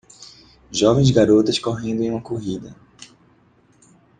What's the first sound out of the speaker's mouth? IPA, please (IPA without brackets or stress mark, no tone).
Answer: ʒ